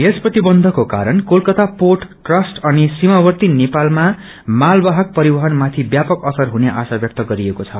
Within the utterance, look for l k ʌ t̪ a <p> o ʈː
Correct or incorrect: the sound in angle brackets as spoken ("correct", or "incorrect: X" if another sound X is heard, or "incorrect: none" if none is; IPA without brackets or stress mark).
correct